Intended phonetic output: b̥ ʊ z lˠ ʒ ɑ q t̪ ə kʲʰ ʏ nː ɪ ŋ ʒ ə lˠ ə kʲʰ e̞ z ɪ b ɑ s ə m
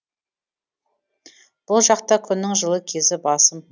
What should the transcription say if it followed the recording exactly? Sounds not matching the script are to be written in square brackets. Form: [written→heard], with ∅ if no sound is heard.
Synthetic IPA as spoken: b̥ ʊ [z→∅] lˠ ʒ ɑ q t̪ [ə→ɑ] kʲʰ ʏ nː ɪ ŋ ʒ ə lˠ ə kʲʰ e̞ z ɪ b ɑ s ə m